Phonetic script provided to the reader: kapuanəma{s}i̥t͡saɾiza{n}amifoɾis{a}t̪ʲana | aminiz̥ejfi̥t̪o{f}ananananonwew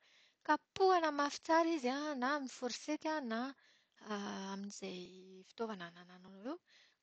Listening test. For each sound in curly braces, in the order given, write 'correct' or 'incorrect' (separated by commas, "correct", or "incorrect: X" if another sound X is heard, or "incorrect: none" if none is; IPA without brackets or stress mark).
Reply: incorrect: f, correct, incorrect: e, incorrect: v